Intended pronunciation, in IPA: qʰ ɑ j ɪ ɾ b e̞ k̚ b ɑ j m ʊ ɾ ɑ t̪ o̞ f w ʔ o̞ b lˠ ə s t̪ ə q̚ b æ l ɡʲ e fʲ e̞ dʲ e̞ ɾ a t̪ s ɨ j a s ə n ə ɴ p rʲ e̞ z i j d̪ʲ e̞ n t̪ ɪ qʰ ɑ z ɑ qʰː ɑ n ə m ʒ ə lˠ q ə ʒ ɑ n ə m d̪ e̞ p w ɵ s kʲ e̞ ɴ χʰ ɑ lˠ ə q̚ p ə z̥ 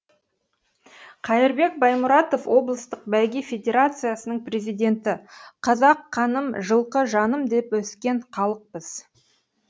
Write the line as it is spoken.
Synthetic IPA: qʰ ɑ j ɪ ɾ b e̞ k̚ b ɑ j m ʊ ɾ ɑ t̪ o̞ f w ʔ o̞ b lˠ ə s t̪ ə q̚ b æ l ɡʲ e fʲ e̞ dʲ e̞ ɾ a t̪ s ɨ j a s ə n ə ɴ p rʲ e̞ z i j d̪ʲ e̞ n t̪ ɪ qʰ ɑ z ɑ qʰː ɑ n ə m ʒ ə lˠ q ə ʒ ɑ n ə m d̪ e̞ p w ɵ s kʲ e̞ ɴ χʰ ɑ lˠ ə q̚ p ə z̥